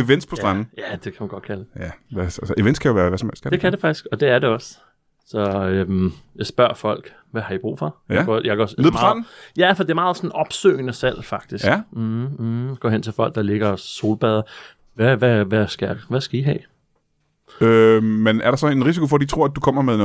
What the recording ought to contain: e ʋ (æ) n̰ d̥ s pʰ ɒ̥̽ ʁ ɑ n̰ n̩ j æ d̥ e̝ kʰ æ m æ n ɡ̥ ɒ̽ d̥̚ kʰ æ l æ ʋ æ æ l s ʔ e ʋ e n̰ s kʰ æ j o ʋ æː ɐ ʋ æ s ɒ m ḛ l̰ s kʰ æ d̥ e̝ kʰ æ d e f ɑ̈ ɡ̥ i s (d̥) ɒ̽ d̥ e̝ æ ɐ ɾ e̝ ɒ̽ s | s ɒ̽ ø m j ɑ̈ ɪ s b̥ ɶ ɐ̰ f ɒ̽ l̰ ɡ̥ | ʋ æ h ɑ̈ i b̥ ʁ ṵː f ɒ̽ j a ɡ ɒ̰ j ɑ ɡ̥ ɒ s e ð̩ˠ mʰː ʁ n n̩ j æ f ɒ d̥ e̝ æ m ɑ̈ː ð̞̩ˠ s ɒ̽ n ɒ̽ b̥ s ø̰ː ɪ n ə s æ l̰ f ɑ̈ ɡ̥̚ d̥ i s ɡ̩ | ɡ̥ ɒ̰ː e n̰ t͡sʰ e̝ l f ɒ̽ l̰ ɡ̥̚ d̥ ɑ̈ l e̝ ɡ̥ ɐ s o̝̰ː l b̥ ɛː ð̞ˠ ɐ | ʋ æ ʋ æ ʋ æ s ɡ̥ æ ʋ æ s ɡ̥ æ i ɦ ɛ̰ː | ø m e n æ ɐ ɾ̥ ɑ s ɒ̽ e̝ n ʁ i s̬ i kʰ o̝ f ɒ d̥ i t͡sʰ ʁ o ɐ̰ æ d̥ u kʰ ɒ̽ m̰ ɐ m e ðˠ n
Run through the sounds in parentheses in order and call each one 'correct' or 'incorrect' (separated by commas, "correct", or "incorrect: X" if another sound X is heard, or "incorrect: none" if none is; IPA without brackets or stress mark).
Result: incorrect: e, incorrect: ɡ̥